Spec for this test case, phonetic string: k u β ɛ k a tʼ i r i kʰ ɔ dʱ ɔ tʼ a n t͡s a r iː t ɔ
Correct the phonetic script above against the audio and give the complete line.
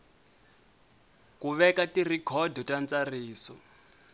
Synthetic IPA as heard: k u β ɛ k a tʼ i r i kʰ ɔ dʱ ɔ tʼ a n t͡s a r iː s ɔ